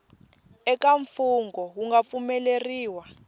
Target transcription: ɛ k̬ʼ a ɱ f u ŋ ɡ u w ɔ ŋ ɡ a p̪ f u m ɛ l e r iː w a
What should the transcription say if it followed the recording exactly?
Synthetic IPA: ɛ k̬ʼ a ɱ f u ŋ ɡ ɔ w u ŋ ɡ a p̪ f u m ɛ l e r iː w a